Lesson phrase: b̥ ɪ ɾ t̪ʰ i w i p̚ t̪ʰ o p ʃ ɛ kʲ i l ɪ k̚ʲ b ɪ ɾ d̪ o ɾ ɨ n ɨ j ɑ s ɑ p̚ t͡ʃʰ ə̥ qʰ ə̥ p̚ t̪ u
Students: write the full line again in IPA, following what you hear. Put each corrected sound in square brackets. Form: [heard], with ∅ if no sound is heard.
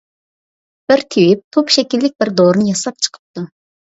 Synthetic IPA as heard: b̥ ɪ ɾ t̪ʰ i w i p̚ t̪ʰ o p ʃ ɛ kʲ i [lː] ɪ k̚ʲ b ɪ ɾ d̪ o ɾ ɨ n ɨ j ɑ s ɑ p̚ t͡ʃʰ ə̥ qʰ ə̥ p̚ t̪ u